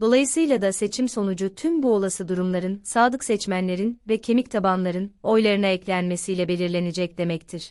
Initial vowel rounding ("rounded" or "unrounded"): rounded